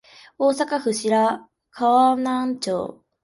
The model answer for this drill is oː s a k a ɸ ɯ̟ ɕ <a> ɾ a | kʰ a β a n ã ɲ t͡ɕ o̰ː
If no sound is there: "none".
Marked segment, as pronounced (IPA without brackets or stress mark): i